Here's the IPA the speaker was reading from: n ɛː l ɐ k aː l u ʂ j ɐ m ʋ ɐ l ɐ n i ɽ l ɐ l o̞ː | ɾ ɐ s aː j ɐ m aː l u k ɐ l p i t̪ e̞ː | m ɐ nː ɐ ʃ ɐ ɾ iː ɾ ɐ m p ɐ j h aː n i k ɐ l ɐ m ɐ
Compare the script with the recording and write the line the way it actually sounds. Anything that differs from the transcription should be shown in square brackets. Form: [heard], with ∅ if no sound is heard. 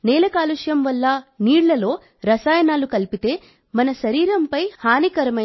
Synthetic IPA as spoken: n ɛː l ɐ k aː l u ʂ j ɐ m ʋ ɐ [lː] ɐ n [iː] ɽ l ɐ l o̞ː | ɾ ɐ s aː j ɐ [n] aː l u k ɐ l p i t̪ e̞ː | m ɐ [n] ɐ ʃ ɐ ɾ iː ɾ ɐ m p ɐ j h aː n i k ɐ [ɾ] ɐ m ɐ